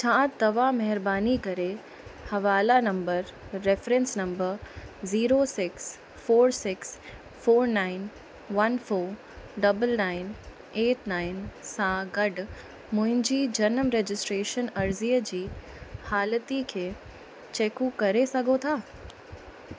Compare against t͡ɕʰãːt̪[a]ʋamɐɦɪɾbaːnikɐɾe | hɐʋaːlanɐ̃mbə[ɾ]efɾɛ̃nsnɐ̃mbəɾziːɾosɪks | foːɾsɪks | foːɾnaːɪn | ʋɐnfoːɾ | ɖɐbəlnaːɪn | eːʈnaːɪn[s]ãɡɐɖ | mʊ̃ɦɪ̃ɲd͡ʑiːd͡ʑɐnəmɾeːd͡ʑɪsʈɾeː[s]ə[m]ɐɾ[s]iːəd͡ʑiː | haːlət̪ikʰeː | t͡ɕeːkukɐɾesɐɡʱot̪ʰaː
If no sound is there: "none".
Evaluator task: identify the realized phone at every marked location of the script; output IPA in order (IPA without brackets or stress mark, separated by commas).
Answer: ɐ, ɾː, s, ʃ, n, z